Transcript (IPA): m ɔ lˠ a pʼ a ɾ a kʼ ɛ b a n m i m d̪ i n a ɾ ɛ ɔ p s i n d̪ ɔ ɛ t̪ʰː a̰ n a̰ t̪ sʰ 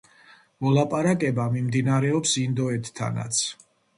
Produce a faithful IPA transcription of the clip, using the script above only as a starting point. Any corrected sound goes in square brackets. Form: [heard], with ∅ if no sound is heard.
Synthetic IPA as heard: m ɔ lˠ a pʼ a ɾ a kʼ ɛ b a [∅] m i m d̪ i n a ɾ ɛ ɔ p s i n d̪ ɔ ɛ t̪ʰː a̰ n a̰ t̪ sʰ